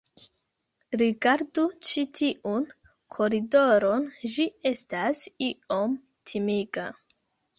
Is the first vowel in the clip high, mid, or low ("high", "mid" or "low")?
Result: high